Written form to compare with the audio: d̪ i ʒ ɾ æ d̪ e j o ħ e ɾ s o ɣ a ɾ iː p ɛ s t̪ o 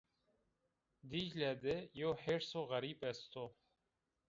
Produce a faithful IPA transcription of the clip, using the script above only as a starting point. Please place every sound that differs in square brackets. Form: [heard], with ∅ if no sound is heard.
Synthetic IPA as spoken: d̪ i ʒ [l] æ d̪ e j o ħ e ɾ s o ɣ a ɾ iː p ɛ s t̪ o